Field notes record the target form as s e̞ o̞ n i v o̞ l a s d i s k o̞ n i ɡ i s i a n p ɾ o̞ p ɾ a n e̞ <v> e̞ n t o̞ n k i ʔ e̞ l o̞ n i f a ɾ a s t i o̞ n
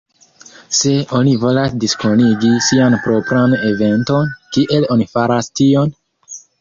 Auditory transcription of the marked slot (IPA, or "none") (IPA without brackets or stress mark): v